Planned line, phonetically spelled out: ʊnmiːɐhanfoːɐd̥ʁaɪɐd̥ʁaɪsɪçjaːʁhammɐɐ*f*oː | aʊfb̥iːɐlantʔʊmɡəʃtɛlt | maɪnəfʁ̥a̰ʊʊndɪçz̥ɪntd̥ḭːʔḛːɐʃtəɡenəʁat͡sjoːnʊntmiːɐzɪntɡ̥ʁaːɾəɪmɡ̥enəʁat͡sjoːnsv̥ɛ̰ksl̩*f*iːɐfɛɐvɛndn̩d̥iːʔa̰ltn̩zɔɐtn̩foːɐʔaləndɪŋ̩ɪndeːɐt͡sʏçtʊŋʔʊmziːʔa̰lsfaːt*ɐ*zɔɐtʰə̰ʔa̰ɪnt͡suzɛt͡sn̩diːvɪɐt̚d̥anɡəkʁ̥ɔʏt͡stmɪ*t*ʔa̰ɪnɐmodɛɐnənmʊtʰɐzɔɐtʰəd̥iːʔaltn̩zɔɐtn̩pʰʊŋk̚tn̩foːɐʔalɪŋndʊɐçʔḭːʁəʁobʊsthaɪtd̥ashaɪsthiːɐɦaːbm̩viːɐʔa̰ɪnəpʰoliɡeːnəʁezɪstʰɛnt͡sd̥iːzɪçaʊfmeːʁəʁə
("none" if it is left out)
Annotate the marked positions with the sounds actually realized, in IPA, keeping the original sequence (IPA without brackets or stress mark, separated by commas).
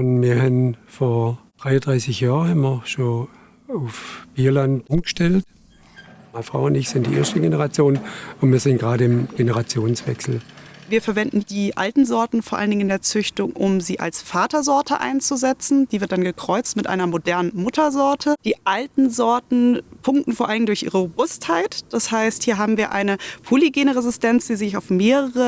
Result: ʃ, v, ɐ, t